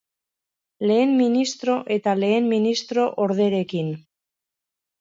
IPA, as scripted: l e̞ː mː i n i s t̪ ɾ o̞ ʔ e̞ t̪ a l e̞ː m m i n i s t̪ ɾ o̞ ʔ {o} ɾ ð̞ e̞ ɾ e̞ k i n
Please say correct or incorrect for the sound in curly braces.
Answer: correct